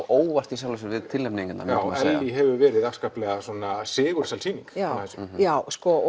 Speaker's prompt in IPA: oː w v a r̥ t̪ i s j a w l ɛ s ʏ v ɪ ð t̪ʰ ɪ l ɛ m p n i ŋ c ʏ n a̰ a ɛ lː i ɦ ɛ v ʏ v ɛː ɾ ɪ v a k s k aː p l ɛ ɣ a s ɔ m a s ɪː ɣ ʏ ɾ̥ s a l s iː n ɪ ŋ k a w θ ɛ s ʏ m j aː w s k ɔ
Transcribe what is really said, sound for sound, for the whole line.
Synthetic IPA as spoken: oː w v a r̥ t̪ i s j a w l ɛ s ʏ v ɪ ð t̪ʰ ɪ l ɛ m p n i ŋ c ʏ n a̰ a ɛ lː i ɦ ɛ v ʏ v ɛː ɾ ɪ ð a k s k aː p l ɛ ɣ a s ɔ n a s ɪː ɣ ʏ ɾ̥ s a l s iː n i ŋ k a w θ ɛ s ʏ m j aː w s k ɔ

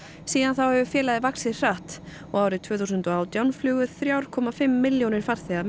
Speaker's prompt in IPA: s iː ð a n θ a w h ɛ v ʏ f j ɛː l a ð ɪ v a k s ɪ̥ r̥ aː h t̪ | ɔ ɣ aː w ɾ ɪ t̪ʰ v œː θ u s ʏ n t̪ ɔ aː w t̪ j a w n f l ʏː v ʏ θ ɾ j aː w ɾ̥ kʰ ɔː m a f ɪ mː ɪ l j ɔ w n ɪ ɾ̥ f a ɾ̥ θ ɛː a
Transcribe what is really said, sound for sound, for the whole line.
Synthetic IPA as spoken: s iː ð a n θ a w h ɛ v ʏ f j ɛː l a ð ɪ v a k s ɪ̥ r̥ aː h t̪ | ɔ ɣ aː w ɾ ɪ t̪ʰ v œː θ u s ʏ n t̪ ɔ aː w t̪ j a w n f l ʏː ɣ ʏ θ ɾ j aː w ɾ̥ kʰ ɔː m a f ɪ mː ɪ l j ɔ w n ɪ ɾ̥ f a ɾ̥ θ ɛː a

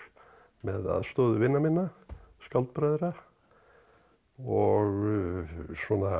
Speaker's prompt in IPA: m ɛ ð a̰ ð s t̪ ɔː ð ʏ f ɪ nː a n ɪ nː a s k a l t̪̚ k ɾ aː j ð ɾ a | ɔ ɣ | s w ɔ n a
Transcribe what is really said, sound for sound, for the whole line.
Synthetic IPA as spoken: m ɛ ð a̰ ð s t̪ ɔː ð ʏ v ɪ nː a m ɪ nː a s k a l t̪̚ p ɾ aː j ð ɾ a | ɔ ɣ | s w ɔ n a

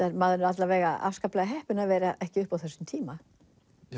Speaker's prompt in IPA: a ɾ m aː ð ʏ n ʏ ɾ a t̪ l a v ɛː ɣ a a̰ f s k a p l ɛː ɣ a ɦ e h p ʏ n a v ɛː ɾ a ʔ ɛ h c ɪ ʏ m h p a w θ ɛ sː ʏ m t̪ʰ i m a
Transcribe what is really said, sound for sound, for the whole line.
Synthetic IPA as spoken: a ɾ m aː ð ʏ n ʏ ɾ a t̪ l a v ɛː ɣ a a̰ f s k a p l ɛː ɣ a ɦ ɛ h p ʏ n a v ɛː ɾ a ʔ ɛ h c ɪ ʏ h p a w θ ɛ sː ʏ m t̪ʰ iː m a

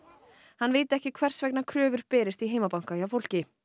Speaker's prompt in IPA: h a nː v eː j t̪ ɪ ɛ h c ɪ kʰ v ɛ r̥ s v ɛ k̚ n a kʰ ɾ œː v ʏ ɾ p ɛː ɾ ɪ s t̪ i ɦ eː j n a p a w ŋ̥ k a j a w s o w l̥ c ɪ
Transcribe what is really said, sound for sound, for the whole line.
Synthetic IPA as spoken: h a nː v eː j t̪ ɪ ɛ h c ɪ kʰ v ɛ r̥ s v ɛ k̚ n a kʰ ɾ œː v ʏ ɾ p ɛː ɾ ɪ s t̪ i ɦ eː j m a p a w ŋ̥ k a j a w f o w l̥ c ɪ

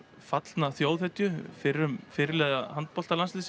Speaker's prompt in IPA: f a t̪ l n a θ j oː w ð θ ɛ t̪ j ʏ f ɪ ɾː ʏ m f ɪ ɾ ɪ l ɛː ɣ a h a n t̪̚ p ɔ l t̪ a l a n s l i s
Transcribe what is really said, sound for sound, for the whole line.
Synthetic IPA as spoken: f a t̪ l n a θ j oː w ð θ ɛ t̪ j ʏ f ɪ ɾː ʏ m f ɪ ɾ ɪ l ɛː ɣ a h a n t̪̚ p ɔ l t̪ a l a n s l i s

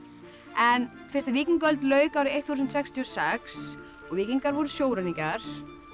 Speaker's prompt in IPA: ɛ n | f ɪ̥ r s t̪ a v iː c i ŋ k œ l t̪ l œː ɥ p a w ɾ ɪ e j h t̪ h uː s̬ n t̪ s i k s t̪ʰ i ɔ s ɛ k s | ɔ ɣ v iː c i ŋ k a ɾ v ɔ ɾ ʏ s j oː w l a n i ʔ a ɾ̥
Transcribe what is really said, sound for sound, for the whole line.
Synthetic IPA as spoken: ɛ n | f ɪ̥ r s t̪ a v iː c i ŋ k œ l t̪ l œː ɥ k a w ɾ ɪ e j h t̪ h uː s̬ n t̪ s ɛ k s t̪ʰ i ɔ s ɛ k s | ɔ ɣ v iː c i ŋ k a ɾ v ɔ ɾ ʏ s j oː w ɾ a n i c a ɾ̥

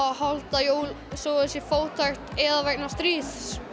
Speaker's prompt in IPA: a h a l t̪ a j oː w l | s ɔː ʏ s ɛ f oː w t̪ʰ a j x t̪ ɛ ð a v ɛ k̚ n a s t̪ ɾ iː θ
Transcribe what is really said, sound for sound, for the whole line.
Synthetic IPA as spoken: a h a l t̪ a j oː w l | s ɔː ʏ s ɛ f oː w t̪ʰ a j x t̪ ɛ ð a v ɛ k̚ n a s t̪ ɾ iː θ

